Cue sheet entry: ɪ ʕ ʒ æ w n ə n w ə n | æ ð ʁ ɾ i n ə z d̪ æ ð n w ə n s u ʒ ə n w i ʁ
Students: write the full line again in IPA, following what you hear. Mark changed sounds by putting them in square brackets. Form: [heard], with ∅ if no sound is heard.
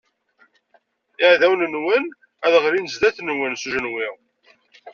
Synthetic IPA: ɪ ʕ [ð] æ w n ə n w ə n | æ ð ʁ ɾ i n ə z d̪ æ [θ] n w ə n s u ʒ ə n w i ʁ